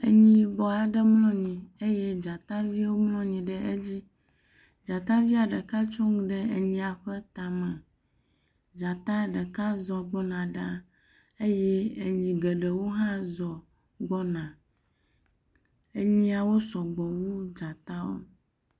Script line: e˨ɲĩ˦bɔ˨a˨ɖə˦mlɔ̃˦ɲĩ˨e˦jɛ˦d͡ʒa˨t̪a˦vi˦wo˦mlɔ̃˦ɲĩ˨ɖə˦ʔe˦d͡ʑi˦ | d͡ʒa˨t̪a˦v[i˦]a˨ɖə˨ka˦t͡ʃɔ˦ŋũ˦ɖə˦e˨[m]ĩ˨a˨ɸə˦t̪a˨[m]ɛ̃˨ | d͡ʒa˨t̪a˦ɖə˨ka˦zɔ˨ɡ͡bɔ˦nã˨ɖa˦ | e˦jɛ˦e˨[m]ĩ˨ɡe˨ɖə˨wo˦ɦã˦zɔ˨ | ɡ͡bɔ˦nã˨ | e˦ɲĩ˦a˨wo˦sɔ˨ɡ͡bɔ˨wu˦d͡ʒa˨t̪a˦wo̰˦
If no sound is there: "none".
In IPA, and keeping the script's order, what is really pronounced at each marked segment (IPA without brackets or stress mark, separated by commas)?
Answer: i˦, ɲ, m, ɲ